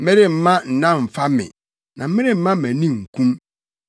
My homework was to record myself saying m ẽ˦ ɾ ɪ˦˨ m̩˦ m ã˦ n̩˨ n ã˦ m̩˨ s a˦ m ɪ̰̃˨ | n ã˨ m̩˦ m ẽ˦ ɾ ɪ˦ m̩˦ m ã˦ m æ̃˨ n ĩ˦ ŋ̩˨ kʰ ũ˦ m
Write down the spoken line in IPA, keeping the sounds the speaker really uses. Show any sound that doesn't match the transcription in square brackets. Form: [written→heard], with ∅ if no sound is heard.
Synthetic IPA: m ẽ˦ ɾ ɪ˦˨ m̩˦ m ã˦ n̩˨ n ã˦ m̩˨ [s→f] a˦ m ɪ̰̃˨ | n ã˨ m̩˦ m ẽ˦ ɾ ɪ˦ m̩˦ m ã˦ m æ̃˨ n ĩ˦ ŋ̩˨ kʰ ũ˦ m